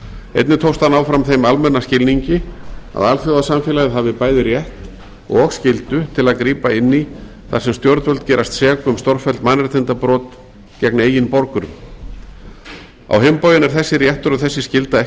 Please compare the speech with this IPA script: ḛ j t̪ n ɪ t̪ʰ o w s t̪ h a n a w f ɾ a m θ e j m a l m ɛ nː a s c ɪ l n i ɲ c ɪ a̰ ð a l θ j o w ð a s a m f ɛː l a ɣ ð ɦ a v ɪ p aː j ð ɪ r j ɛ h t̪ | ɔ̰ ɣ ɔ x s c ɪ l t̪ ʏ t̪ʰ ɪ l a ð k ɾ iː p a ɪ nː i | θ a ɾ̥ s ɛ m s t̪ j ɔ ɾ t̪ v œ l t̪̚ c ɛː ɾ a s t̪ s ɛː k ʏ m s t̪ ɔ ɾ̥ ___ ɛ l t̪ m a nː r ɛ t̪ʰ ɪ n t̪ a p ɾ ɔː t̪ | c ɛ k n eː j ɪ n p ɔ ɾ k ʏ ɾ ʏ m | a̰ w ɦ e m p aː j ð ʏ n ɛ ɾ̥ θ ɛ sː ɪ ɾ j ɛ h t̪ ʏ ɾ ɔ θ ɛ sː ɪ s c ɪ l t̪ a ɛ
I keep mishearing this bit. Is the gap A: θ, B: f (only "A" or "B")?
B